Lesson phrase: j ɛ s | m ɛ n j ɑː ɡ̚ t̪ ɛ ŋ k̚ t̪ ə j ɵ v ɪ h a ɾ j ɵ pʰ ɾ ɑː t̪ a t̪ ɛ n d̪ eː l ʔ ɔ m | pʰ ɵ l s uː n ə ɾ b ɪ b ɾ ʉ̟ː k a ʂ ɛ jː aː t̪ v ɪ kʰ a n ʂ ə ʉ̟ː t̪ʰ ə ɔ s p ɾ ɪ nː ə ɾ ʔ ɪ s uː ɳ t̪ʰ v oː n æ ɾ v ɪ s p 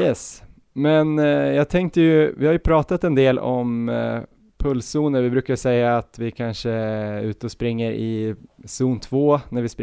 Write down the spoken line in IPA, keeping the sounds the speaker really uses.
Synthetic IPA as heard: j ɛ s | m ɛ n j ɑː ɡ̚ t̪ʰ ɛ ŋ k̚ t̪ ə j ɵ v ɪ h a ɾ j ɵ pʰ ɾ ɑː t̪ a t̪ ɛ n d̪ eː l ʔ ɔ m | pʰ ɵ l s uː n ə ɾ v ɪ b ɾ ʉ̟ː k a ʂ ɛ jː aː t̪ v ɪ kʰ a n ʂ ə ʉ̟ː t̪ ə ɔ s p ɾ ɪ ŋː ə ɾ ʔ ɪ s uː n t̪ʰ v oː n æ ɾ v ɪ s p